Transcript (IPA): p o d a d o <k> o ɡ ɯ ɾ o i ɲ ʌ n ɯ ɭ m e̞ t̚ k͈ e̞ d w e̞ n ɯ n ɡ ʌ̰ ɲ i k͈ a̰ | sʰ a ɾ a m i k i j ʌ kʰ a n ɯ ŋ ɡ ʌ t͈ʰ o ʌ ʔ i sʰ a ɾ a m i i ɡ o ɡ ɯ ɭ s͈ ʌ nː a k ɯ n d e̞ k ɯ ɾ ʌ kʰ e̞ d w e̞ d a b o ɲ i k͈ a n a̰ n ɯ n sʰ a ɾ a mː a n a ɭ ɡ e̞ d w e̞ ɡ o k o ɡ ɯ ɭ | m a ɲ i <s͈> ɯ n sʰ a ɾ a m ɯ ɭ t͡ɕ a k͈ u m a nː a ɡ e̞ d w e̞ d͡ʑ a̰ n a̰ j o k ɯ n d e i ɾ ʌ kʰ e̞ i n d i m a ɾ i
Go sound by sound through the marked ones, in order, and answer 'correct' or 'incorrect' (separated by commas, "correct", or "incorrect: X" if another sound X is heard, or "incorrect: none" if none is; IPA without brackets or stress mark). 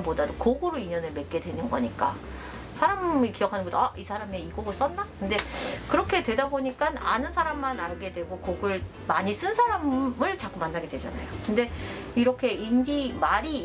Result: correct, correct